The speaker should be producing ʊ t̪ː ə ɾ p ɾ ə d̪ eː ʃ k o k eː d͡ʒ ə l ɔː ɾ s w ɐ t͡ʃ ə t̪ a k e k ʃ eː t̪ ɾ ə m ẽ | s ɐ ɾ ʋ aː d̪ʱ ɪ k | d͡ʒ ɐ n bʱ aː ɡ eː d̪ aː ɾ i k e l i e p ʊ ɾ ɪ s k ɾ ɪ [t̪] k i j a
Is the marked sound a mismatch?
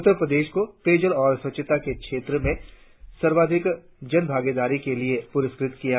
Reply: no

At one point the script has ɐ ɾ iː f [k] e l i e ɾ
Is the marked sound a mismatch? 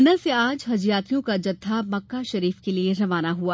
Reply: no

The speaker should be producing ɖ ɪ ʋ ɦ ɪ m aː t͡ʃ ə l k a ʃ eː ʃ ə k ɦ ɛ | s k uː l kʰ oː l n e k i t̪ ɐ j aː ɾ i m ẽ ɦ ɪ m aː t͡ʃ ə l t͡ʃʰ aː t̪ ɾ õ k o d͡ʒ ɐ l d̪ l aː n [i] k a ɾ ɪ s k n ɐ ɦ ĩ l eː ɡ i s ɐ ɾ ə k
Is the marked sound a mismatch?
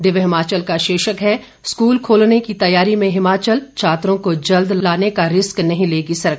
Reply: yes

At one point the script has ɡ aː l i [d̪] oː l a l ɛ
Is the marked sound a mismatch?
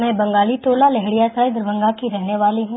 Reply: yes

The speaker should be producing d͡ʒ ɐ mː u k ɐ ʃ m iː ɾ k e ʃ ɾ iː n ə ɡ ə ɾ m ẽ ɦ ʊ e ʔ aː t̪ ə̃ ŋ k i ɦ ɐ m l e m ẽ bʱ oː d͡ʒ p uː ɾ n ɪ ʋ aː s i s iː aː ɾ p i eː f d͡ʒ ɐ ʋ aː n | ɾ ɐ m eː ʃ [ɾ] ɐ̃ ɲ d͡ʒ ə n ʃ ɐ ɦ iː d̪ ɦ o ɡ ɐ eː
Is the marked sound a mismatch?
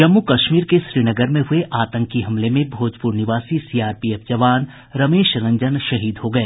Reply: no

